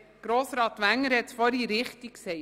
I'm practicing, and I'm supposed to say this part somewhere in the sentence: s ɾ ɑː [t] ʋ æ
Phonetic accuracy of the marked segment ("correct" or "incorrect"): correct